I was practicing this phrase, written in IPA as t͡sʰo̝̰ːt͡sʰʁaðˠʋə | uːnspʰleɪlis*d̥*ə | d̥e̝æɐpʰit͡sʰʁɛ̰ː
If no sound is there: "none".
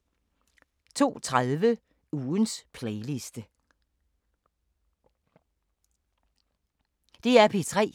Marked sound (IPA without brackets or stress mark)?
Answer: d̥